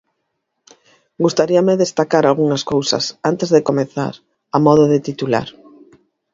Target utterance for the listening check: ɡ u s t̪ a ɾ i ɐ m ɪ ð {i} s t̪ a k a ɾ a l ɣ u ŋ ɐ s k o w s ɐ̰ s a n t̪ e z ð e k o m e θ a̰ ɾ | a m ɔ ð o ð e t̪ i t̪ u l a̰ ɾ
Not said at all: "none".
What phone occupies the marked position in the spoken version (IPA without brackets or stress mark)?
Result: e